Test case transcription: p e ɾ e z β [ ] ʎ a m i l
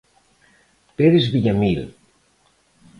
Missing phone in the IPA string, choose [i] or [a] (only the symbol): i